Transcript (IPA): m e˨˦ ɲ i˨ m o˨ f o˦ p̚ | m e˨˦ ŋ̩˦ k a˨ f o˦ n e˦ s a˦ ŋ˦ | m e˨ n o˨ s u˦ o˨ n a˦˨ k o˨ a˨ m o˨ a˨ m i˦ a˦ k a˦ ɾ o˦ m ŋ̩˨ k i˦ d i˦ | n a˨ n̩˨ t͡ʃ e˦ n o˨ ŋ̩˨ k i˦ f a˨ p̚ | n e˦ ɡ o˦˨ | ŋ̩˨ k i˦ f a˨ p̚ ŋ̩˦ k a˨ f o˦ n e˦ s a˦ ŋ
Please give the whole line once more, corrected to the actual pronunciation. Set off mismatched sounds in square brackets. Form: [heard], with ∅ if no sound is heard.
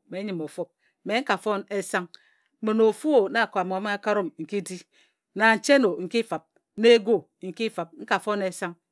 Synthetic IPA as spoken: m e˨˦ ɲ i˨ m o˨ f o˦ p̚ | m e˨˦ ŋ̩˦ k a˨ f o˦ n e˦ s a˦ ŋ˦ | m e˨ n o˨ [f] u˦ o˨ n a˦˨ k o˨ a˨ m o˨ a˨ m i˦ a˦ k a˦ ɾ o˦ m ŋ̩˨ k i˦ d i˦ | n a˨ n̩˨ t͡ʃ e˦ n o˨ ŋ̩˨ k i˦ f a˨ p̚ | n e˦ ɡ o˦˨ | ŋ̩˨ k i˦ f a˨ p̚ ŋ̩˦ k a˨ f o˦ n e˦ s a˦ ŋ